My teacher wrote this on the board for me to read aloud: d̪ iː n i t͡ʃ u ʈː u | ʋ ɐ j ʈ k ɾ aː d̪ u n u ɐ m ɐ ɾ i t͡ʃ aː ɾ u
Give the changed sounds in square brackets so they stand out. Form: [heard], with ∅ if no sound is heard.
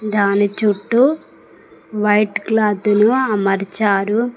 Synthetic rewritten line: d̪ [aː] n i t͡ʃ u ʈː u | ʋ ɐ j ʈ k [l] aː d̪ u n u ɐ m ɐ ɾ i t͡ʃ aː ɾ u